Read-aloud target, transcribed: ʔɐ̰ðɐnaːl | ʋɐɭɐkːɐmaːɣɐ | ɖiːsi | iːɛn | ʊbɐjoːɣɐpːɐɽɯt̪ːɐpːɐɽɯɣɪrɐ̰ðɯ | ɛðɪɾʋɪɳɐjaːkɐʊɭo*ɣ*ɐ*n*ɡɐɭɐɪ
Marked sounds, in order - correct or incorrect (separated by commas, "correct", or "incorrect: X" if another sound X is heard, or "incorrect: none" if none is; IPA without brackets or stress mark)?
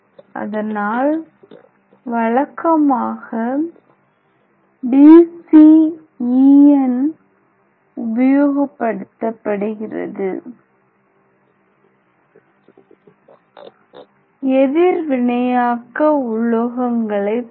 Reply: correct, incorrect: ŋ